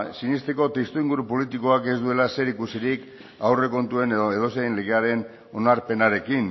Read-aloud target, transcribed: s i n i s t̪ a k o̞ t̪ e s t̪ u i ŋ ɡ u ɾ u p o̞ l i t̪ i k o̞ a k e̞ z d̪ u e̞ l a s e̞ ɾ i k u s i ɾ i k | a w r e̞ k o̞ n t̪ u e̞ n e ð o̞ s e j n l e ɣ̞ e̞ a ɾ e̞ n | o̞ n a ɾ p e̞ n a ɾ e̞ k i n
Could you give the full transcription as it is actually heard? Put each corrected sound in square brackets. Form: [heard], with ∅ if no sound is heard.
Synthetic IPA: s i n i s t̪ [e] k o̞ t̪ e s t̪ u i ŋ ɡ u ɾ u p o̞ l i t̪ i k o̞ a k e̞ z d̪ u e̞ l a s e̞ ɾ i k u s i ɾ i k | a w r e̞ k o̞ n t̪ u e̞ n e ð o̞ s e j n l e ɣ̞ e̞ a ɾ e̞ n | o̞ n a ɾ p e̞ n a ɾ e̞ k i n